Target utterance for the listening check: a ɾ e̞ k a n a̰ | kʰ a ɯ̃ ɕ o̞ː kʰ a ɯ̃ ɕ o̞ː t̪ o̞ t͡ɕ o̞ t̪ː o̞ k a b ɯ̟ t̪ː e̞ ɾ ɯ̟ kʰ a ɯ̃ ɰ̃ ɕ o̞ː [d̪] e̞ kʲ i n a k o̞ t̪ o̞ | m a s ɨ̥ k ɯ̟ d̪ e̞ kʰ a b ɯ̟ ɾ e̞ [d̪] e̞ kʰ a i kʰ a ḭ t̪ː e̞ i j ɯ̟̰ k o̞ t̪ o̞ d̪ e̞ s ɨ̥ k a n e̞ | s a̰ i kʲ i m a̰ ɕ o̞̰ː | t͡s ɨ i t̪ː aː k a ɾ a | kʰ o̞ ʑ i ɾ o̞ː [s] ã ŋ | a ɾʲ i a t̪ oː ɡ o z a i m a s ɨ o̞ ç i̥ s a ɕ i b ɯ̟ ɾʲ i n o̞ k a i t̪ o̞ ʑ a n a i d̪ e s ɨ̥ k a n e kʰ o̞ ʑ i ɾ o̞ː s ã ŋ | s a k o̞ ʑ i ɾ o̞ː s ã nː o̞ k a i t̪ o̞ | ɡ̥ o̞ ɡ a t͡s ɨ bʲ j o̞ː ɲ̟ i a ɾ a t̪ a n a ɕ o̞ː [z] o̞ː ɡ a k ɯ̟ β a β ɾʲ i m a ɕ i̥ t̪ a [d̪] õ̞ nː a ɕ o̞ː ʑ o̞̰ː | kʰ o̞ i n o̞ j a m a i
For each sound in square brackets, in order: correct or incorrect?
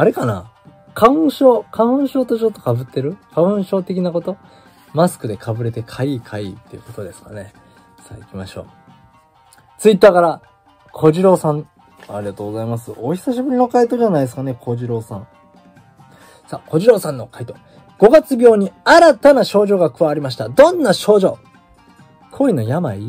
incorrect: t̪, incorrect: t̪, correct, incorrect: ʑ, correct

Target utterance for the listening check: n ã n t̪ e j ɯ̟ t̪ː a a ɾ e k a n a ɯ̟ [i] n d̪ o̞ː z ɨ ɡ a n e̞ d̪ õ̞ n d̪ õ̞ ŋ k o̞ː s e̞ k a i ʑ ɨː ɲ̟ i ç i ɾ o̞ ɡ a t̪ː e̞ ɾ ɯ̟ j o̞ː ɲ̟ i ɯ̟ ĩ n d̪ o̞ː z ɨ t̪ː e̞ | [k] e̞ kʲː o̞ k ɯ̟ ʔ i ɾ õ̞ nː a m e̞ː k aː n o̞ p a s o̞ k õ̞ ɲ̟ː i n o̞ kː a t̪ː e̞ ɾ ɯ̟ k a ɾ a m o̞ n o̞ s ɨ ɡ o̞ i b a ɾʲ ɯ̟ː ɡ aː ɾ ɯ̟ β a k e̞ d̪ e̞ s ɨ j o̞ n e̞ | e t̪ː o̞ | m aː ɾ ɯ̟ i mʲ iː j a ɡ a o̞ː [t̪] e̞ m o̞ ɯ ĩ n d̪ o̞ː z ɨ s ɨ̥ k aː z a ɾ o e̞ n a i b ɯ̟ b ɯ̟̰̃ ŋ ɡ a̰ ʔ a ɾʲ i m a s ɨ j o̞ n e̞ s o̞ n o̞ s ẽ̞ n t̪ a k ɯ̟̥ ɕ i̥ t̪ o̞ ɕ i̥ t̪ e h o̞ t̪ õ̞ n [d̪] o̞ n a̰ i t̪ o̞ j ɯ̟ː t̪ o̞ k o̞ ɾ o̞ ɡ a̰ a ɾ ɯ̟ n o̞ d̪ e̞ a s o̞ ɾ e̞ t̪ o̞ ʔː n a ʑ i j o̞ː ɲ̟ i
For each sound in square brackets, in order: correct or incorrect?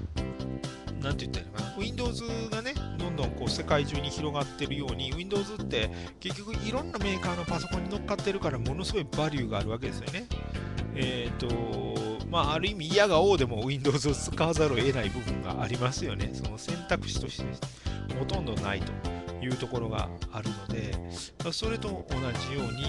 incorrect: ĩ, correct, incorrect: d̪, correct

